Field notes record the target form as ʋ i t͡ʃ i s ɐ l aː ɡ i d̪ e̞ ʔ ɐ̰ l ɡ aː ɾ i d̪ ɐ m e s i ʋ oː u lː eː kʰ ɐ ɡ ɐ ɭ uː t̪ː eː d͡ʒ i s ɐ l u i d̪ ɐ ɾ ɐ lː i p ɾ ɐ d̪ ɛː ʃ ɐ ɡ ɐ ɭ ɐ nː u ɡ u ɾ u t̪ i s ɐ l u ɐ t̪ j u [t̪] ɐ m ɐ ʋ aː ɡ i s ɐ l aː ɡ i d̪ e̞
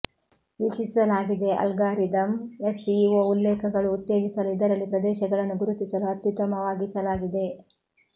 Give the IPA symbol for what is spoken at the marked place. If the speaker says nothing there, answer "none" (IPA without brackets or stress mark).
t̪